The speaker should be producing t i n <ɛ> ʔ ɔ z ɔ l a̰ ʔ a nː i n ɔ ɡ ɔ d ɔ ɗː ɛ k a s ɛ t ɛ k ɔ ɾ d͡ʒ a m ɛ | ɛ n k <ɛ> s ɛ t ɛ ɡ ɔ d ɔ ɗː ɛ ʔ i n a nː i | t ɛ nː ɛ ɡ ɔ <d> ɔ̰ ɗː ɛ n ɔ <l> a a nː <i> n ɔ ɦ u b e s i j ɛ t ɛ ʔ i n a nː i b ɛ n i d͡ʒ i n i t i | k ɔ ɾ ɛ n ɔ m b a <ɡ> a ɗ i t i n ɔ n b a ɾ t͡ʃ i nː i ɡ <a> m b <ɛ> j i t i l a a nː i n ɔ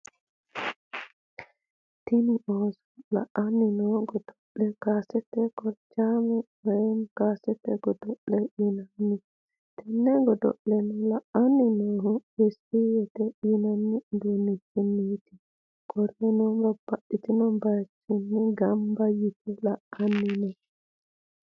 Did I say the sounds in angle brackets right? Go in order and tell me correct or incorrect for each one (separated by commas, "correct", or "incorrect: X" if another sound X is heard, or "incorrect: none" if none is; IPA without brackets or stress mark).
incorrect: i, incorrect: a, correct, correct, correct, incorrect: b, correct, incorrect: a